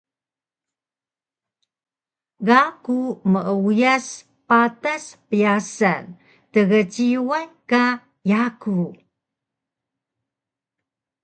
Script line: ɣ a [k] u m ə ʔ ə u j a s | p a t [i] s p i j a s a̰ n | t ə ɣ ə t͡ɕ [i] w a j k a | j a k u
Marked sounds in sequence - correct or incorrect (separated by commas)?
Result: correct, incorrect, correct